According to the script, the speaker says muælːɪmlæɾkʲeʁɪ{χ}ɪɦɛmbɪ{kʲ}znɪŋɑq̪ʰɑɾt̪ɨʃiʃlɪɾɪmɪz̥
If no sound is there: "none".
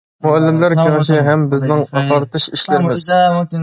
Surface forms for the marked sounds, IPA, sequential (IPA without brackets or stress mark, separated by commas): ʃ, none